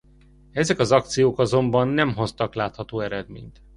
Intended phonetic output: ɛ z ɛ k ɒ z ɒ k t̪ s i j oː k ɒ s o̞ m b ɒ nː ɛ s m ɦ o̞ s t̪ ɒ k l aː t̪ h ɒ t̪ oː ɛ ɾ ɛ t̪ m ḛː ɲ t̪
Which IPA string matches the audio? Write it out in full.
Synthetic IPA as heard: ɛ z ɛ k ɒ z ɒ k t̪ s i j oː k ɒ z o̞ m b ɒ nː ɛ m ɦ o̞ s t̪ ɒ k l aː t̪ h ɒ t̪ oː ɛ ɾ ɛ d̪ m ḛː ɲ t̪

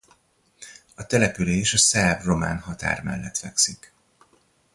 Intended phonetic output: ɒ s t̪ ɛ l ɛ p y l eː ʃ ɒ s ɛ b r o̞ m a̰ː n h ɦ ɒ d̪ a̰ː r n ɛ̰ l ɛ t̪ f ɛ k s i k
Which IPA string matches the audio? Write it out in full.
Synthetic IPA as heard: ɒ t̪ ɛ l ɛ p y l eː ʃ ɒ s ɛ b r o̞ m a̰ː n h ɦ ɒ t̪ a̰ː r m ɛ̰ lː ɛ t̪ f ɛ k s i k

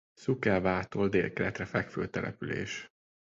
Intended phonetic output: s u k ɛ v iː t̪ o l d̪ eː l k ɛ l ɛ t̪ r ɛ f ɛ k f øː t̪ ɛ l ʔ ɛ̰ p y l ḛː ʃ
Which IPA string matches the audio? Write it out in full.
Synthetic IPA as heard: s u k ɛ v aː t̪ o l d̪ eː l k ɛ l ɛ t̪ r ɛ f ɛ k f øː t̪ ɛ l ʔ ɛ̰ p y l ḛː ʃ

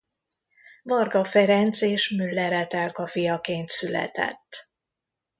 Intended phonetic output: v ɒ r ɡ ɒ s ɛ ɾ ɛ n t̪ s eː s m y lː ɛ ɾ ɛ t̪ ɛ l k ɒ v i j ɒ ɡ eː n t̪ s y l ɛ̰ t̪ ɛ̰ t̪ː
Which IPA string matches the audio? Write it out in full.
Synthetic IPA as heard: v ɒ r ɡ ɒ f ɛ ɾ ɛ n t̪ s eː ʃ m y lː ɛ ɾ ɛ t̪ ɛ l k ɒ f i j ɒ k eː n t̪ s y l ɛ̰ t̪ ɛ̰ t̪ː

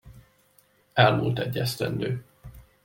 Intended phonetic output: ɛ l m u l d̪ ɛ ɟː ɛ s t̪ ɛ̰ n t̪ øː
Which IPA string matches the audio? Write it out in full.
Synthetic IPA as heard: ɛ l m u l t̪ ɛ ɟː ɛ s t̪ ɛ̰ n d̪ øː

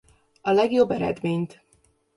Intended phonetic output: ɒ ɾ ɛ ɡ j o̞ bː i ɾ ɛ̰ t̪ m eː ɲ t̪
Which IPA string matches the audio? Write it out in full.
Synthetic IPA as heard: ɒ l ɛ ɡ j o̞ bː ɛ ɾ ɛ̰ d̪ m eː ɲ t̪

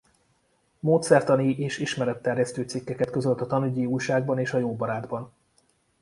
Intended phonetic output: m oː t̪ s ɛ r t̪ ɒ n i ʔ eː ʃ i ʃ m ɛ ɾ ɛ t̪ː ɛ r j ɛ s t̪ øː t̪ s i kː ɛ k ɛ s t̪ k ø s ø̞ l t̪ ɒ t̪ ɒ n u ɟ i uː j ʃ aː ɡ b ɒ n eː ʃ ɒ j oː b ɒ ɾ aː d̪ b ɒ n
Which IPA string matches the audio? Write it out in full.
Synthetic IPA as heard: m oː t̪ s ɛ r t̪ ɒ n i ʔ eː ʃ i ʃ m ɛ ɾ ɛ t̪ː ɛ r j ɛ s t̪ øː t̪ s i kː ɛ k ɛ t̪ k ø z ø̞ l t̪ ɒ t̪ ɒ n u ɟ i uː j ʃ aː ɡ b ɒ n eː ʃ ɒ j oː b ɒ ɾ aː d̪ b ɒ n

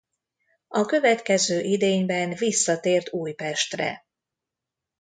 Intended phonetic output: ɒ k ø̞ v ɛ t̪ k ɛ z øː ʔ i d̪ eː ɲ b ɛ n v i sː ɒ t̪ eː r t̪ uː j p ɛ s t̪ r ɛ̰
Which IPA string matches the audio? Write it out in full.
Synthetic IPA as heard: ɒ k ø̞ v ɛ t̪ k ɛ z øː ʔ i d̪ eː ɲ b ɛ n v i sː ɒ t̪ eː r t̪ uː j p ɛ ʃ t̪ r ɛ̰

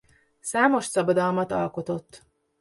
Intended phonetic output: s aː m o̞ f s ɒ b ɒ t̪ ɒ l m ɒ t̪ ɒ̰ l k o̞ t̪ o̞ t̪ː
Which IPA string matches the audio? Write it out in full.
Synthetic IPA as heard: s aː m o̞ ʃ s ɒ b ɒ d̪ ɒ l m ɒ t̪ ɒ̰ l k o̞ t̪ o̞ t̪ː

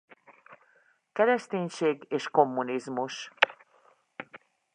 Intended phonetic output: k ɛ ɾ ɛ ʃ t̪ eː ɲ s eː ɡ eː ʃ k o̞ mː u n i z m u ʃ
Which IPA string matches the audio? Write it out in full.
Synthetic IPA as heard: k ɛ ɾ ɛ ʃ t̪ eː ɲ ʃ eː ɡ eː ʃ k o̞ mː u n i z m u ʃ

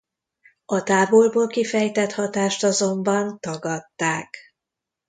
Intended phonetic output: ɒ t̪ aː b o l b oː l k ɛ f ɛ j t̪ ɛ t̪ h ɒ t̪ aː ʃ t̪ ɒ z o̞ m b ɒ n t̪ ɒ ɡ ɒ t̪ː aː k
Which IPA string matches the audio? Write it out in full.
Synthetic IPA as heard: ɒ t̪ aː b o l b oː l k i f ɛ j t̪ ɛ t̪ h ɒ t̪ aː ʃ t̪ ɒ z o̞ m b ɒ n t̪ ɒ ɡ ɒ t̪ː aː k

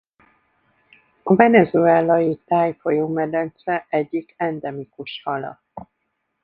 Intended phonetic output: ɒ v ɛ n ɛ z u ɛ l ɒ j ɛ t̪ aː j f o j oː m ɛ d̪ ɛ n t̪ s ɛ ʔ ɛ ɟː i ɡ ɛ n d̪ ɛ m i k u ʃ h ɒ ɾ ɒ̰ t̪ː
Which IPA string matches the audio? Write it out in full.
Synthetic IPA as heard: ɒ v ɛ n ɛ z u ɛ l ɒ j i t̪ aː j f o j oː m ɛ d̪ ɛ n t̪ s ɛ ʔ ɛ ɟː i k ɛ n d̪ ɛ m i k u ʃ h ɒ l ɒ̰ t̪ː

